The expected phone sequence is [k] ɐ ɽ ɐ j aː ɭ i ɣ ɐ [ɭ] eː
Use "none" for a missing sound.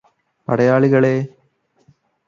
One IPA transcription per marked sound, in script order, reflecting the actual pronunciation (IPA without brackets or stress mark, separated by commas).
p, ɭ